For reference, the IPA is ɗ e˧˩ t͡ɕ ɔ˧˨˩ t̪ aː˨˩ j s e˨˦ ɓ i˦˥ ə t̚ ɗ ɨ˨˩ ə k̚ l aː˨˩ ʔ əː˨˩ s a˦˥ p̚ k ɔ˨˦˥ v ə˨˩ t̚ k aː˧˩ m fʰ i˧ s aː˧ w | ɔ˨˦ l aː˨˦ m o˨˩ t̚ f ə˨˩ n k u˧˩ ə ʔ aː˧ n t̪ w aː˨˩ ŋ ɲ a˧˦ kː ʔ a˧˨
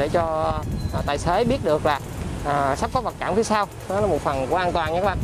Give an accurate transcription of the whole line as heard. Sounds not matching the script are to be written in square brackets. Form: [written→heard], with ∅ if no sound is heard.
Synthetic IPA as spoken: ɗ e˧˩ t͡ɕ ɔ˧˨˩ t̪ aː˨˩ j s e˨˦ ɓ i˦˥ ə t̚ ɗ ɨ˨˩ ə k̚ l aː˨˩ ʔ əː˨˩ s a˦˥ p̚ k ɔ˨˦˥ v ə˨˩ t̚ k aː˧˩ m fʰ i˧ s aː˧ w | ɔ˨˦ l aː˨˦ m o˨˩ t̚ f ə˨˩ n k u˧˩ ə ʔ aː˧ n t̪ w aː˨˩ [ŋ→n] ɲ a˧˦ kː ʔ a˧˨